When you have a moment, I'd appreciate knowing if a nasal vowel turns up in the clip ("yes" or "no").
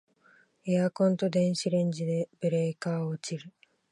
yes